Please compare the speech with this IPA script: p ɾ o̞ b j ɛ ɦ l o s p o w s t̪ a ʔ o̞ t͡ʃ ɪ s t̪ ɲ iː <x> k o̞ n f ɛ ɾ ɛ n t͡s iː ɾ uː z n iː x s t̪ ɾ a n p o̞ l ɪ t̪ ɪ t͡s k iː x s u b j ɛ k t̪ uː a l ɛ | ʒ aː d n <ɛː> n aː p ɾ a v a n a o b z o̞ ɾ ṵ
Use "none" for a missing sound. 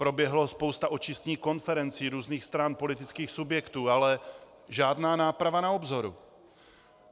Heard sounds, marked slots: x, aː

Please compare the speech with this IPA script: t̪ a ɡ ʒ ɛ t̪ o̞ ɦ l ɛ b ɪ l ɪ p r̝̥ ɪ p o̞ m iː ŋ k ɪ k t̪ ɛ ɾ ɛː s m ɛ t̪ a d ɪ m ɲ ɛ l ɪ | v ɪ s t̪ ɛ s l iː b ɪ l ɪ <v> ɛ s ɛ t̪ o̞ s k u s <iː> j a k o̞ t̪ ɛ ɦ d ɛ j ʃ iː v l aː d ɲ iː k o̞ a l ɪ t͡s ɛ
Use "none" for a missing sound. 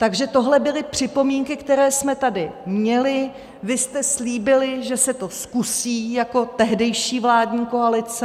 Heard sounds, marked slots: ʒ, iː

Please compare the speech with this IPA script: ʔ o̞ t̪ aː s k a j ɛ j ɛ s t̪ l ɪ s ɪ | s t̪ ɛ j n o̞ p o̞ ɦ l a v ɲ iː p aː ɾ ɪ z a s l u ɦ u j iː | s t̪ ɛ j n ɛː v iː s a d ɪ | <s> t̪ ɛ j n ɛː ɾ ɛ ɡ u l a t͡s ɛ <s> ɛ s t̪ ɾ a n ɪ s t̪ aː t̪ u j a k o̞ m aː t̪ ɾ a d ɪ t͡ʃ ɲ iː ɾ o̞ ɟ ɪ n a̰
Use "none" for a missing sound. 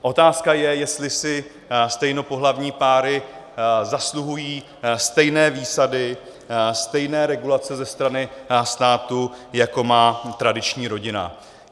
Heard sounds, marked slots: s, z

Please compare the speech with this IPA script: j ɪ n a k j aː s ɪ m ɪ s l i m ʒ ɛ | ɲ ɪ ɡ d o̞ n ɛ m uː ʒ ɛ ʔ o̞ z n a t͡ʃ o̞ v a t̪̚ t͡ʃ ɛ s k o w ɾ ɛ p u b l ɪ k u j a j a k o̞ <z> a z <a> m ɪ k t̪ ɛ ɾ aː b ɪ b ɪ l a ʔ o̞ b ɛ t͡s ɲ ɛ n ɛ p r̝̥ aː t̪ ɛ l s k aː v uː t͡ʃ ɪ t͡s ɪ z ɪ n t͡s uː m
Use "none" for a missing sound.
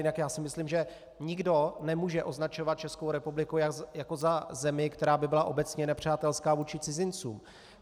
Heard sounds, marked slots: z, ɛ

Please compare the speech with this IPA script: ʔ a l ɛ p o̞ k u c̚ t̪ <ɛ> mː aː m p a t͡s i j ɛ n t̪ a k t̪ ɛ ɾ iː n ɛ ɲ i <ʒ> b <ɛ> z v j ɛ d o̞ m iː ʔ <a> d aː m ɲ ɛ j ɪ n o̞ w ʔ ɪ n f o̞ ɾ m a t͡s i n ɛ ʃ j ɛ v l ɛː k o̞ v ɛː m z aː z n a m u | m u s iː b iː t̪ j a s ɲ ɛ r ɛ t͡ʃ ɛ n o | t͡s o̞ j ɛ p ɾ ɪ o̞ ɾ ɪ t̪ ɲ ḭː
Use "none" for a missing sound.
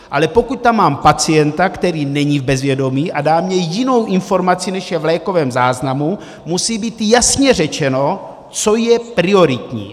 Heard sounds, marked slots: a, v, ɛ, a

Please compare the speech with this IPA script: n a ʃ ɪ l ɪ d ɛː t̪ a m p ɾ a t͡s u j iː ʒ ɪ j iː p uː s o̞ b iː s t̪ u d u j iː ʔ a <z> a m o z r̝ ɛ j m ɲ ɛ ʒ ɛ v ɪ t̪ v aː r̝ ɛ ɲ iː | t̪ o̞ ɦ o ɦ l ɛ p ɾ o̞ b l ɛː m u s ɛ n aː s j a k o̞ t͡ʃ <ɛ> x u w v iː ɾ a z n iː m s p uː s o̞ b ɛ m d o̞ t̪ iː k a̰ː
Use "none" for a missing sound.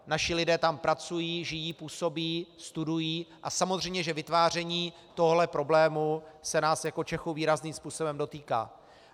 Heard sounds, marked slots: s, ɛ

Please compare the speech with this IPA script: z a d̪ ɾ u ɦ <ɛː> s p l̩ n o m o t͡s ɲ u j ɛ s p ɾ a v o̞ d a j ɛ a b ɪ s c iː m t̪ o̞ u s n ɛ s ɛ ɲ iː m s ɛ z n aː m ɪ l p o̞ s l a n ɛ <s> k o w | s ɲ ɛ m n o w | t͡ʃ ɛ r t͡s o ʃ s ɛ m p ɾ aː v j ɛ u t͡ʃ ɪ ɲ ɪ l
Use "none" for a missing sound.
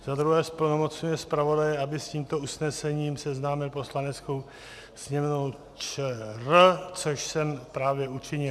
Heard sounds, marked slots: ɛː, t͡s

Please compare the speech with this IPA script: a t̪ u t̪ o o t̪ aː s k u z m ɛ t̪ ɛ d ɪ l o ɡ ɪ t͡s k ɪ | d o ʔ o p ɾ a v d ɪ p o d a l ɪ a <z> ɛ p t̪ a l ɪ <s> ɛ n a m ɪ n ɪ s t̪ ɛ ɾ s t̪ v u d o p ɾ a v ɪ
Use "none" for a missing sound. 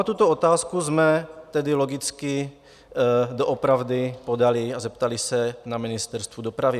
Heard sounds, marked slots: z, s

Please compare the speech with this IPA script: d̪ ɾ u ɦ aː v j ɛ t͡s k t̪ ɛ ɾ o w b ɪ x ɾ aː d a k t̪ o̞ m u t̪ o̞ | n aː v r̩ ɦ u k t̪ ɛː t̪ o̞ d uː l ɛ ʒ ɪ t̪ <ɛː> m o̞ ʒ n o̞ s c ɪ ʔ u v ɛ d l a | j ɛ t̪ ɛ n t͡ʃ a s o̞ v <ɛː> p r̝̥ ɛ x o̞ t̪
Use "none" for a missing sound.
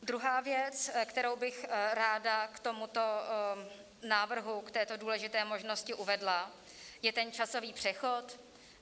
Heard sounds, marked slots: ɛː, iː

